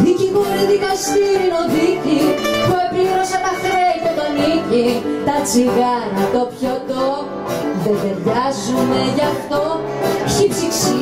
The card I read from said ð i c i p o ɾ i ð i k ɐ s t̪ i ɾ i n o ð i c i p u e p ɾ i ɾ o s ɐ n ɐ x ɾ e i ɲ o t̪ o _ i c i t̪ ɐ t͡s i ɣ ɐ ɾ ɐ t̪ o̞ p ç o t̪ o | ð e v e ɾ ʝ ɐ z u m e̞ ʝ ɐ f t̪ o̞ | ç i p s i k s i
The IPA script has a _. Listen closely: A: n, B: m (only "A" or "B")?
A